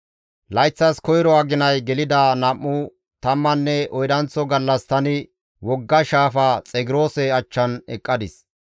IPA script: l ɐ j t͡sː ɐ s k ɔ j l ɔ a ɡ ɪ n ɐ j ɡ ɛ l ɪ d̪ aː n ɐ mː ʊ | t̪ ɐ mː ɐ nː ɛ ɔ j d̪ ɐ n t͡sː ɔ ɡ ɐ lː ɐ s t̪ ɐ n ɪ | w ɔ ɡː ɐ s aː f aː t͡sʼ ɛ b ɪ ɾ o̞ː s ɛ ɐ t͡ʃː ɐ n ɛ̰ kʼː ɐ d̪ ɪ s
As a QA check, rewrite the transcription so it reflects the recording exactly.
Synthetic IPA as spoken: l ɐ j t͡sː ɐ s k ɔ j ɾ ɔ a ɡ ɪ n ɐ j ɡ ɛ l ɪ d̪ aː n ɐ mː ʊ | t̪ ɐ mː ɐ nː ɛ ɔ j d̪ ɐ n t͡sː ɔ ɡ ɐ lː ɐ s t̪ ɐ n ɪ | w ɔ ɡː ɐ ʃ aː f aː t͡sʼ ɛ ɡ ɪ ɾ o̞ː s ɛ ɐ t͡ʃː ɐ n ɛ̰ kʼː ɐ d̪ ɪ s

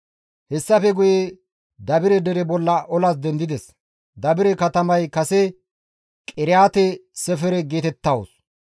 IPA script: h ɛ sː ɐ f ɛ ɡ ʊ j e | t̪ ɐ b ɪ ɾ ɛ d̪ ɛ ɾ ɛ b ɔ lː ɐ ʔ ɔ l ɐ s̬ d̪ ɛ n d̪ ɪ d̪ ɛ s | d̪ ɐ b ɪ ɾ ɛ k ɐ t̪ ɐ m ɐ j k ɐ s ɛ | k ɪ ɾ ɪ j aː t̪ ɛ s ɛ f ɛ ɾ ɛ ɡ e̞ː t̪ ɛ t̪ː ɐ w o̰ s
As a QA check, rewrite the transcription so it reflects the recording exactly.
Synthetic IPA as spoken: h ɛ sː ɐ f ɛ ɡ ʊ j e | d̪ ɐ b ɪ ɾ ɛ d̪ ɛ ɾ ɛ b ɔ lː ɐ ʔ ɔ l ɐ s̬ d̪ ɛ n d̪ ɪ d̪ ɛ s | d̪ ɐ b ɪ ɾ ɛ k ɐ t̪ ɐ m ɐ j k ɐ s ɛ | kʼ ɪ ɾ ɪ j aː t̪ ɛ s ɛ f ɛ ɾ ɛ ɡ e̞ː t̪ ɛ t̪ː ɐ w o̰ s

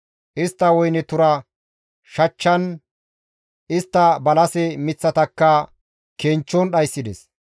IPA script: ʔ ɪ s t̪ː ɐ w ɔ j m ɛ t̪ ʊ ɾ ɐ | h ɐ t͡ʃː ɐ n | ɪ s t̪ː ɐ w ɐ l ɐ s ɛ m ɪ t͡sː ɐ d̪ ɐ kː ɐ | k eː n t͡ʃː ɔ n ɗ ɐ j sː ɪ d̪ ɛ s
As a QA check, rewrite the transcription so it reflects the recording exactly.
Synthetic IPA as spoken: ʔ ɪ s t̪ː ɐ w ɔ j n ɛ t̪ ʊ ɾ ɐ | ʃ ɐ t͡ʃː ɐ n | ɪ s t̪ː ɐ b ɐ l ɐ s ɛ m ɪ t͡sː ɐ t̪ ɐ kː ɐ | k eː n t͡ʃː ɔ n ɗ ɐ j sː ɪ d̪ ɛ s

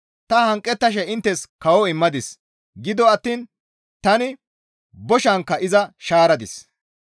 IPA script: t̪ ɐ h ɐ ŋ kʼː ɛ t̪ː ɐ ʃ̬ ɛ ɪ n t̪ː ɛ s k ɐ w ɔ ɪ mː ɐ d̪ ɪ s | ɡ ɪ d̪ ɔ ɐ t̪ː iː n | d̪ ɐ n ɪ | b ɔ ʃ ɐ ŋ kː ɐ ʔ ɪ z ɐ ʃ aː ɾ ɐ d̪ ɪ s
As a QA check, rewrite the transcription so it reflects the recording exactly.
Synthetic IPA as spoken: t̪ ɐ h ɐ ŋ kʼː ɛ t̪ː ɐ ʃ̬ ɛ ɪ n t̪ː ɛ s k ɐ w ɔ ɪ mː ɐ d̪ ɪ s | ɡ ɪ d̪ ɔ ɐ t̪ː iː n | t̪ ɐ n ɪ | b ɔ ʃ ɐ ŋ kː ɐ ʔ ɪ z ɐ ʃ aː ɾ ɐ d̪ ɪ s

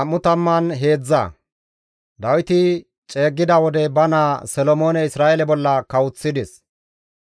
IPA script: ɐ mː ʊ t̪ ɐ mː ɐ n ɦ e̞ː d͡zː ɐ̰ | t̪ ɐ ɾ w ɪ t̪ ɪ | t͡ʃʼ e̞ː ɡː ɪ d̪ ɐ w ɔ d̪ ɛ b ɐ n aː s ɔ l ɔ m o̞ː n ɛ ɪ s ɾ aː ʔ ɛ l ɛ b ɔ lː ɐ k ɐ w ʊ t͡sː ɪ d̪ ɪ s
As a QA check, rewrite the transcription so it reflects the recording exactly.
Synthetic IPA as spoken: ɐ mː ʊ t̪ ɐ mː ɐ n ɦ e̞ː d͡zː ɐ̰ | d̪ ɐ w ɪ t̪ ɪ | t͡ʃʼ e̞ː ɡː ɪ d̪ ɐ w ɔ d̪ ɛ b ɐ n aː s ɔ l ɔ m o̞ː n ɛ ɪ s ɾ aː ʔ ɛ l ɛ b ɔ lː ɐ k ɐ w ʊ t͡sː ɪ d̪ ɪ s

